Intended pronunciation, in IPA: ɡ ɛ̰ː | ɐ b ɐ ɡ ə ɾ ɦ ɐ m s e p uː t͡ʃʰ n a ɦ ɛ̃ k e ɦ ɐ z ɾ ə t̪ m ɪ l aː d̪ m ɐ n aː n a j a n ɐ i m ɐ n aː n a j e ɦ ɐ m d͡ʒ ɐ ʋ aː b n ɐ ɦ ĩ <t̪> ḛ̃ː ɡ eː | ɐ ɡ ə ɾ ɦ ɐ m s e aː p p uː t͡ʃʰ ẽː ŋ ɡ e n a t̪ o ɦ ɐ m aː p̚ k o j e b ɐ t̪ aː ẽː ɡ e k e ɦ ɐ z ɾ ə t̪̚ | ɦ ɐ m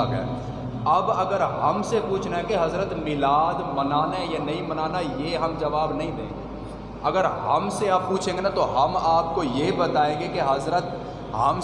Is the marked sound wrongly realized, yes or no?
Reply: yes